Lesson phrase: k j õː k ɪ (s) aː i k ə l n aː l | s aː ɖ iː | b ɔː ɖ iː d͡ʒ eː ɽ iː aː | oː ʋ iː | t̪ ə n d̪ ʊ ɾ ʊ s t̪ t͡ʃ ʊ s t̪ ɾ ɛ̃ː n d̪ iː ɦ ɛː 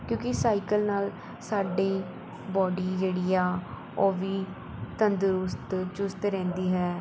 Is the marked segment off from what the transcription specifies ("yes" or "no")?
no